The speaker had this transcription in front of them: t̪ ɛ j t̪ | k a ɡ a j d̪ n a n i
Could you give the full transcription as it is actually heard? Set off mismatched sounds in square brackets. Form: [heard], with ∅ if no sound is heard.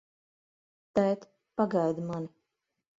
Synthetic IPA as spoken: t̪ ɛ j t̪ | [p] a ɡ a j d̪ [m] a n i